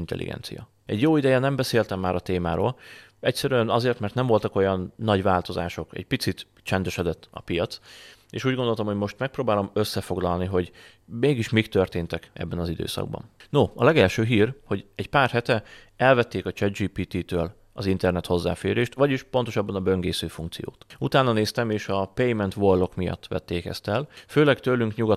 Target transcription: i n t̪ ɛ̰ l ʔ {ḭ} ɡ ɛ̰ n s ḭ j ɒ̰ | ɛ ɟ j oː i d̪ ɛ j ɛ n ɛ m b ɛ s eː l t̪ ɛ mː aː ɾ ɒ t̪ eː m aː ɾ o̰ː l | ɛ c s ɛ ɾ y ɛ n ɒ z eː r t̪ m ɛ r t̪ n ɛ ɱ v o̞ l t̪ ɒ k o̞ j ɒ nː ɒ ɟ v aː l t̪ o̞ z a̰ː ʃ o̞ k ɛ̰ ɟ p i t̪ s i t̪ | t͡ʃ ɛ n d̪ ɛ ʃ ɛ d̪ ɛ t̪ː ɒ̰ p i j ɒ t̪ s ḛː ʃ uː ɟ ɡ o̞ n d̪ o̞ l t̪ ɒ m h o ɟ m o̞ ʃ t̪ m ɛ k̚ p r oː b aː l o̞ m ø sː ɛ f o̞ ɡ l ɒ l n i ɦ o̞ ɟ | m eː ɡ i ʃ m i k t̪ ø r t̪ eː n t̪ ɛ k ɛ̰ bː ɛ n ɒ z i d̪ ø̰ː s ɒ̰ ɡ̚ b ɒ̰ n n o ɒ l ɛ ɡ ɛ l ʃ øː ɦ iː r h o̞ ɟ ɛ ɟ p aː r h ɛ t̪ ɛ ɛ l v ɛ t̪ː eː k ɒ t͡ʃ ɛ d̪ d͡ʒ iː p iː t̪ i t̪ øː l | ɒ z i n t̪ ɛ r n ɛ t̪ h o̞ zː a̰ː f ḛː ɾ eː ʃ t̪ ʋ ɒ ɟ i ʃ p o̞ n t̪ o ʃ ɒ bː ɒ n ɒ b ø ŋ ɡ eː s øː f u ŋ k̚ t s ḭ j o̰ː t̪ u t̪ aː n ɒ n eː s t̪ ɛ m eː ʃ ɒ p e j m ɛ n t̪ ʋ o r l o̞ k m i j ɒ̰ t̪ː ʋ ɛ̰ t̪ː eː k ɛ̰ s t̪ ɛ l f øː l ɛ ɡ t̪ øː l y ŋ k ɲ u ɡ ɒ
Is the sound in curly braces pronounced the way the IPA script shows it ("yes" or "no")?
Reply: yes